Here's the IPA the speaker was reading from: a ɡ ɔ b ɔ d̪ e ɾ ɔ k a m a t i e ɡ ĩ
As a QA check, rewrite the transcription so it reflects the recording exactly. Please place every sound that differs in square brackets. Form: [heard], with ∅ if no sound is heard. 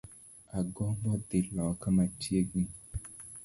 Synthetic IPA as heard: a ɡ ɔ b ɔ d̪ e [l] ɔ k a m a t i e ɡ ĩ